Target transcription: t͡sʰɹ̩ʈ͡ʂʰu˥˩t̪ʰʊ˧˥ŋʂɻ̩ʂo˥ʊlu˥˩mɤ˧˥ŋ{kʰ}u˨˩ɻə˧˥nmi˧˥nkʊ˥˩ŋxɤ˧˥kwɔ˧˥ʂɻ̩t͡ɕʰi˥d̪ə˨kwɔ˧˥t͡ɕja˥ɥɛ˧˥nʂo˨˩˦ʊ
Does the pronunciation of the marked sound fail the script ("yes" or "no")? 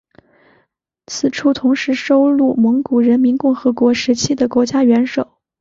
yes